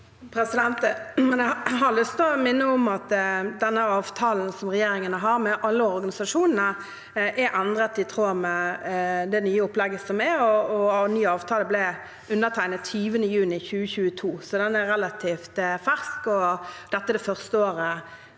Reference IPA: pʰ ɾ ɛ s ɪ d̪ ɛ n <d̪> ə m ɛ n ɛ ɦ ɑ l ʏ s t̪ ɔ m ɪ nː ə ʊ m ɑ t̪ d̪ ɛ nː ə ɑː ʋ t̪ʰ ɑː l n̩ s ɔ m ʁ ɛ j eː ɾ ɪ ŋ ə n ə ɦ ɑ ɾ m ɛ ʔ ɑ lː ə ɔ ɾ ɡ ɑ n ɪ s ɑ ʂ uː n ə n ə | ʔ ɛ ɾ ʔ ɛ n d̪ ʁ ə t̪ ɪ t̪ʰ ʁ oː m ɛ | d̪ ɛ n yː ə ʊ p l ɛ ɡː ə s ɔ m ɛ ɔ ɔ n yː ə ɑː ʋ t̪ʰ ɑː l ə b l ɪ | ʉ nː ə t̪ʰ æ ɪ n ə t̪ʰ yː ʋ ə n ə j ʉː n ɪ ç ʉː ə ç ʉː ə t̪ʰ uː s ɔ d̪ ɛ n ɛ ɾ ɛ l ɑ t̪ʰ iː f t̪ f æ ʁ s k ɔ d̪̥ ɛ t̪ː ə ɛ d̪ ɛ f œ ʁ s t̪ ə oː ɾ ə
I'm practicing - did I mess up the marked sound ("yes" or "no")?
yes